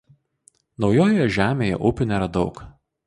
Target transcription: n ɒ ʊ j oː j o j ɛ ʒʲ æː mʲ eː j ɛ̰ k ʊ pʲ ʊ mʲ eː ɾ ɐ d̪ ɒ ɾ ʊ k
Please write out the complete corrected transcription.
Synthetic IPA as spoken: n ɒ ʊ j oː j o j ɛ ʒʲ æː mʲ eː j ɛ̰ ʔ ʊ pʲ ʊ nʲ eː ɾ ɐ d̪ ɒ ʊ k